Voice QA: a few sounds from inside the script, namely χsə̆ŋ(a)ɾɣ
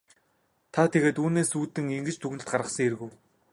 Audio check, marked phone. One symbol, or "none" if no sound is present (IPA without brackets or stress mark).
e